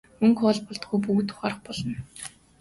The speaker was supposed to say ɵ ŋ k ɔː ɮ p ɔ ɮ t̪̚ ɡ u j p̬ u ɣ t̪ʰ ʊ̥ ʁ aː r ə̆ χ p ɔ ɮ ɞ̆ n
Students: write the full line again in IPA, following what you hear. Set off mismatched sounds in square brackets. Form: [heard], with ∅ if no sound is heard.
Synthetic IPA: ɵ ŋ k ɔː ɮ p ɔ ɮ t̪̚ ɡ u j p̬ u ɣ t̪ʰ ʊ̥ [χ] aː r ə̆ χ p ɔ ɮ ɞ̆ n